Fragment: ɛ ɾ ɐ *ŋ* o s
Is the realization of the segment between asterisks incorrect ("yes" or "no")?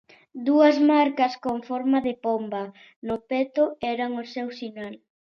no